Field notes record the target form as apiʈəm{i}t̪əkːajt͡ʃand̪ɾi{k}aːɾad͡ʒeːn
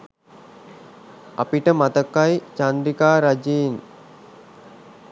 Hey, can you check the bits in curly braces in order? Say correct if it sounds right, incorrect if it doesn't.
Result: incorrect: a, correct

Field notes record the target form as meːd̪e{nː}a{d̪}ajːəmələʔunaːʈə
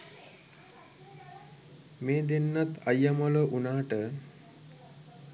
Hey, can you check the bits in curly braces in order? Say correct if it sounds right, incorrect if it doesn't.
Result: correct, incorrect: t̪

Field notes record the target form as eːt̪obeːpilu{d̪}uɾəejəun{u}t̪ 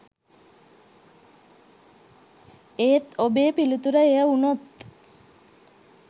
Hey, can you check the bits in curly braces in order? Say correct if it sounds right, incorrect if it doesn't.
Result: incorrect: t̪, incorrect: o

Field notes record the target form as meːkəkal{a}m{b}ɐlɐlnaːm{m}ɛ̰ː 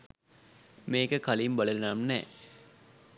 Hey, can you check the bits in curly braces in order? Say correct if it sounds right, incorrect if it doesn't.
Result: incorrect: i, correct, incorrect: n

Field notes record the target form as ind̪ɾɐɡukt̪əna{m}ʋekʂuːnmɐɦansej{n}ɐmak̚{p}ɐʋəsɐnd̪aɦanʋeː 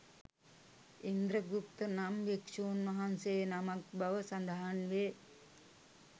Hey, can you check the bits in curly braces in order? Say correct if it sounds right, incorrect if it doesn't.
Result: correct, correct, incorrect: b

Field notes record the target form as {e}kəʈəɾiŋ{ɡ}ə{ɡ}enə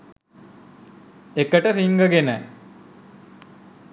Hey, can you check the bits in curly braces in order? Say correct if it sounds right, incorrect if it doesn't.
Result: correct, correct, correct

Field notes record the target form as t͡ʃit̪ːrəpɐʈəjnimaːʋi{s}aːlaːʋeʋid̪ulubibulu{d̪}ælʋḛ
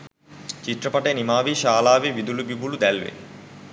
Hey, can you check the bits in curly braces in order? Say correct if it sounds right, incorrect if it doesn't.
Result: incorrect: ʃ, correct

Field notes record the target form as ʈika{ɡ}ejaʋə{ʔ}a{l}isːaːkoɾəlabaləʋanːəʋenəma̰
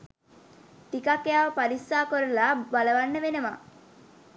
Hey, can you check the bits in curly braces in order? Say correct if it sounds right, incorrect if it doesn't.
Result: incorrect: k, incorrect: p, incorrect: ɾ

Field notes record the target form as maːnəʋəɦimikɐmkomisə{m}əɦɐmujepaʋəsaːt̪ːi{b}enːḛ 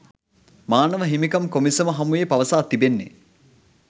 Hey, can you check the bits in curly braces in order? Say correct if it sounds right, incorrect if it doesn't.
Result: correct, correct

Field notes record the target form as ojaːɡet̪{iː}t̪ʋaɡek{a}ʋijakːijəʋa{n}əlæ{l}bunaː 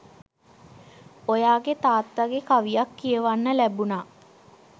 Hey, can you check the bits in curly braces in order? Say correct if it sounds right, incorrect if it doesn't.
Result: incorrect: aː, correct, incorrect: nː, incorrect: none

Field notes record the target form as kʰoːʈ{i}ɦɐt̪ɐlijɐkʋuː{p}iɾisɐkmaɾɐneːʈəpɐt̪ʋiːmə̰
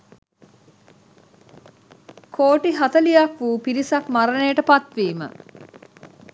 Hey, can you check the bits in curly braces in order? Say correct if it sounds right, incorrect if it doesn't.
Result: correct, correct

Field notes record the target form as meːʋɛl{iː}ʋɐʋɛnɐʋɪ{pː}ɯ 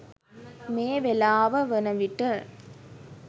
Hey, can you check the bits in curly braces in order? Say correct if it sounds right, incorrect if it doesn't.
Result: incorrect: aː, incorrect: ʈː

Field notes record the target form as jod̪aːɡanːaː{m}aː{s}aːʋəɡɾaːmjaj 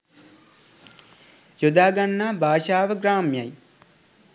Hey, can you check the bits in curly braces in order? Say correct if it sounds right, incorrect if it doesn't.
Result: incorrect: b, incorrect: ʃ

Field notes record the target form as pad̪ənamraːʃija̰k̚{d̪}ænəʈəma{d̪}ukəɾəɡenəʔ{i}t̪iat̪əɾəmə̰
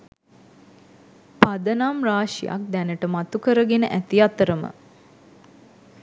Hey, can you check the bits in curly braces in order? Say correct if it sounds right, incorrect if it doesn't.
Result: correct, incorrect: t̪, incorrect: æ

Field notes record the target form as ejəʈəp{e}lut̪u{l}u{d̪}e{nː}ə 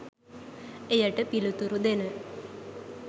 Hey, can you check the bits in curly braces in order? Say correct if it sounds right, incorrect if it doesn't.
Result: incorrect: i, incorrect: ɾ, correct, incorrect: n

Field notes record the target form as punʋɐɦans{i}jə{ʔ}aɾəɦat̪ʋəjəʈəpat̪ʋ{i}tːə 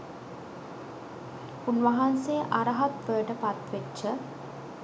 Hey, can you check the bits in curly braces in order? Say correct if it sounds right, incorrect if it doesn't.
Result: incorrect: e, correct, incorrect: e

